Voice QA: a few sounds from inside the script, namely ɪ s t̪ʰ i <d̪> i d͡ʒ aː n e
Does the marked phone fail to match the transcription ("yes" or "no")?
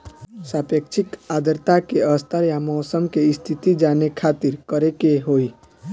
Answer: yes